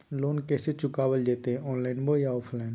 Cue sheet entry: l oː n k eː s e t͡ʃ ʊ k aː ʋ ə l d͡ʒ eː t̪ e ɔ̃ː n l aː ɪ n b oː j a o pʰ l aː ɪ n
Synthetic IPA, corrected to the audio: l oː n k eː s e t͡ʃ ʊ k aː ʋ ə l d͡ʒ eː t̪ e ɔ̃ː n l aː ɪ n b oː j a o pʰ l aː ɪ n